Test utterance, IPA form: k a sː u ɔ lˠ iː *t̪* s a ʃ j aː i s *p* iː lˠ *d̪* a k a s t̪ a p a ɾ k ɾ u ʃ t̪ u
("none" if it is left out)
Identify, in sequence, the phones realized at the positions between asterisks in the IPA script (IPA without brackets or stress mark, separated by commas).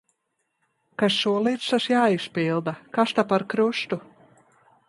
t̪, p, d̪